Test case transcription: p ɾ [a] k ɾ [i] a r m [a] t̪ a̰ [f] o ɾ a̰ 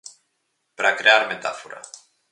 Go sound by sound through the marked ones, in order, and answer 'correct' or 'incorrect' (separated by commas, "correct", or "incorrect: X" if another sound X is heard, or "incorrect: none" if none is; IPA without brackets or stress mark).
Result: correct, incorrect: e, incorrect: e, correct